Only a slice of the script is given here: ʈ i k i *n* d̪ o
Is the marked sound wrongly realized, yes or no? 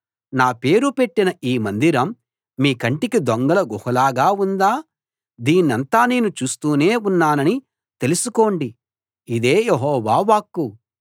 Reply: yes